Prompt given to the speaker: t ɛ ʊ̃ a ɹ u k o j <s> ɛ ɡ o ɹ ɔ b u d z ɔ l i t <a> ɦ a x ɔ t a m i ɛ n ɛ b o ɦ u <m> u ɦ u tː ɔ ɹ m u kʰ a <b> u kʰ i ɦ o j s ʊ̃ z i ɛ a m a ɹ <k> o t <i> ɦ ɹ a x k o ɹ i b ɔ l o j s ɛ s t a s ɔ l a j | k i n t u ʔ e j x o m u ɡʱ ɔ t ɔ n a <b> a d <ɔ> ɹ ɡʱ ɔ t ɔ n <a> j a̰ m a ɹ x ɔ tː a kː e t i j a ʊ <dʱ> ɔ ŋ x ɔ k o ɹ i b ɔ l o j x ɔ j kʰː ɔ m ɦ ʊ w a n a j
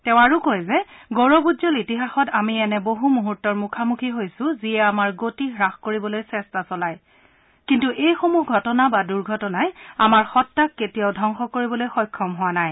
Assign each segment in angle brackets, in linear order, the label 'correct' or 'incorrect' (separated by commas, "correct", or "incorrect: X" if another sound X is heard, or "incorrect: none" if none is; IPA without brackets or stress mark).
incorrect: z, incorrect: i, correct, incorrect: m, incorrect: ɡ, correct, correct, incorrect: u, correct, correct